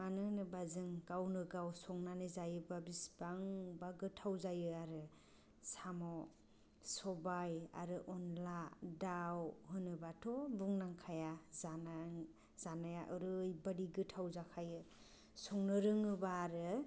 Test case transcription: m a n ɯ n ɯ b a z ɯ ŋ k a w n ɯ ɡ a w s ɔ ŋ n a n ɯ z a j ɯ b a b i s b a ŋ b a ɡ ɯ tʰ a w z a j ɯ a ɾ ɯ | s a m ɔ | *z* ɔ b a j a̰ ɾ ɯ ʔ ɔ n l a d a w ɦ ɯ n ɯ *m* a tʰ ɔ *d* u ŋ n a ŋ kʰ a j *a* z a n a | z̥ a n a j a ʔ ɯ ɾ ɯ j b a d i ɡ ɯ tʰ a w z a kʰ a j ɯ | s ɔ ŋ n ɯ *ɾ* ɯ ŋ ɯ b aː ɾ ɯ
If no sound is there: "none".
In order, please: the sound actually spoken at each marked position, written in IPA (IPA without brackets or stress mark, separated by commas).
s, b, b, a, ɾ